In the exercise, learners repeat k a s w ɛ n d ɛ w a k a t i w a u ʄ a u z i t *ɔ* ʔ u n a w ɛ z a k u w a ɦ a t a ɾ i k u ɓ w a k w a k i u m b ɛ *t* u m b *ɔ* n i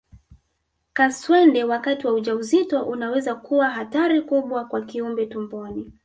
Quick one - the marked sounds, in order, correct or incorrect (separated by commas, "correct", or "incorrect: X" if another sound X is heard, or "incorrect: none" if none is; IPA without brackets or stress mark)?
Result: correct, correct, correct